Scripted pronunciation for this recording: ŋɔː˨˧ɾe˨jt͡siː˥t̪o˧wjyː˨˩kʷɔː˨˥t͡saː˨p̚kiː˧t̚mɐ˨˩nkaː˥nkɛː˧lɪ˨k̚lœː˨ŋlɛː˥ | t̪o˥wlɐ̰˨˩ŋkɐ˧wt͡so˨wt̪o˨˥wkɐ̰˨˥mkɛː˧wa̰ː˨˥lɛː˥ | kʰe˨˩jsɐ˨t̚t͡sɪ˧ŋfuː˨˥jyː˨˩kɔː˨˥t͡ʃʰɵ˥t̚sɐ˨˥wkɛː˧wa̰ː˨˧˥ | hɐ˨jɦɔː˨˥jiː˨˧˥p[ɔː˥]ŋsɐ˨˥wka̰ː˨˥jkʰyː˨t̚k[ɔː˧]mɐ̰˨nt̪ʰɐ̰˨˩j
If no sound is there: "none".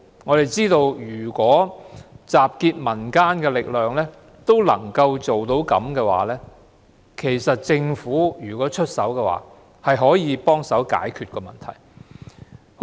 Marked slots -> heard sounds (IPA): ɔː˥, ɔː˧

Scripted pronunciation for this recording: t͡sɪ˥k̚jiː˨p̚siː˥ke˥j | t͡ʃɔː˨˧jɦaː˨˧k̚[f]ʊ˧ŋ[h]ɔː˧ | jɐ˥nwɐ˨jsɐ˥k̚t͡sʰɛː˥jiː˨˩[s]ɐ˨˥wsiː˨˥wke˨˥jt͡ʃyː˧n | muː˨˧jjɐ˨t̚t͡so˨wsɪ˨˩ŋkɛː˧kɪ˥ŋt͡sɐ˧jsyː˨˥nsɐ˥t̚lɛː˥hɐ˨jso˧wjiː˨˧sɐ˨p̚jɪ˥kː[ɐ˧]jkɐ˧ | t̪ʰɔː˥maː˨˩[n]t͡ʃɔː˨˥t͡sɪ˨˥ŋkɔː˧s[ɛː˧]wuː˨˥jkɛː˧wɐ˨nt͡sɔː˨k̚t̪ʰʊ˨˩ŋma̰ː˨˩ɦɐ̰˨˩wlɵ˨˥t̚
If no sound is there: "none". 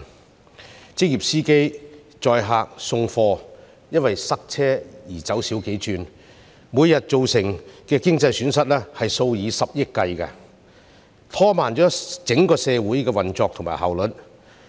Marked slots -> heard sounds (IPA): s, f, t͡s, ɐ˧, n, ɛː˧

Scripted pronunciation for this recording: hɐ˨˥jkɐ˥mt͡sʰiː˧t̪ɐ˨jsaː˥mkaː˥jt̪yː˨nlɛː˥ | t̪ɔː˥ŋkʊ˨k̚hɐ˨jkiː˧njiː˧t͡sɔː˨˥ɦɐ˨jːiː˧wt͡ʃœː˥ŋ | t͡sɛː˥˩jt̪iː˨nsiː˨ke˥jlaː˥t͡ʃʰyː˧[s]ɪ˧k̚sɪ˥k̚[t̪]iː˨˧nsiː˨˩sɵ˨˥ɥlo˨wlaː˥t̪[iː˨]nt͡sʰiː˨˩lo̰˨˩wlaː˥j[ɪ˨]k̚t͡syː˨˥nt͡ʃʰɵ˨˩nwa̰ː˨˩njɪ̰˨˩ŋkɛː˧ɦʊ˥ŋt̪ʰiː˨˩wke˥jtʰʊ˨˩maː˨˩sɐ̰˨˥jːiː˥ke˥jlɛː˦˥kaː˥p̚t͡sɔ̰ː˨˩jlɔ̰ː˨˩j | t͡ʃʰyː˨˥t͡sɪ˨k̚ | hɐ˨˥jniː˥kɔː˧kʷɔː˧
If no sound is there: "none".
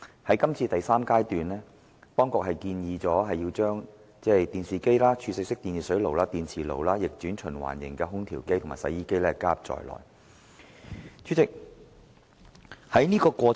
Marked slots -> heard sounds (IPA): s, t̪, iː˨, ɪ˨

